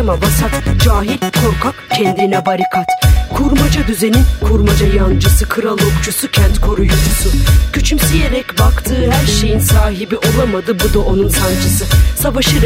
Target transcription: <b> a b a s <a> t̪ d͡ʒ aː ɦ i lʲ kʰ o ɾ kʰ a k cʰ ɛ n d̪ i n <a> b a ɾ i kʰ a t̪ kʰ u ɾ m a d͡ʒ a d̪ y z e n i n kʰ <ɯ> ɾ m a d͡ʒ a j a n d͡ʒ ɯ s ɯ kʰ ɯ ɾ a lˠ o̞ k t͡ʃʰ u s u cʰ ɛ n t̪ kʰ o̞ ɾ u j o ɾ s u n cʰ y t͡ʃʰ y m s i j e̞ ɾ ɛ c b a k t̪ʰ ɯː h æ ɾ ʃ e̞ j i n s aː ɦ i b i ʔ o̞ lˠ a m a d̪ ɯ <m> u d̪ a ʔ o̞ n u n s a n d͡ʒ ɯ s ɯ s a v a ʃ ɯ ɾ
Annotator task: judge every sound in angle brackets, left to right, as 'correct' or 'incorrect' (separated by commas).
incorrect, correct, incorrect, incorrect, incorrect